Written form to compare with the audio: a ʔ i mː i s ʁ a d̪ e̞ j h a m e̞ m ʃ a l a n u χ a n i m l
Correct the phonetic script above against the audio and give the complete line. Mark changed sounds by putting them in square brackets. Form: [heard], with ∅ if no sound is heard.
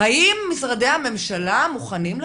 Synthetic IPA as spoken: a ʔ i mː i s ʁ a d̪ e̞ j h a m e̞ m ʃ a l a [m] u χ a n i m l